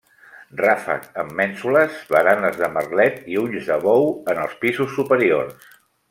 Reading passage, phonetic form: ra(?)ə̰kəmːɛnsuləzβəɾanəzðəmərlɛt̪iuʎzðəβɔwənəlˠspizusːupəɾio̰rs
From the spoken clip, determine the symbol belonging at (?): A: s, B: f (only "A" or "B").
B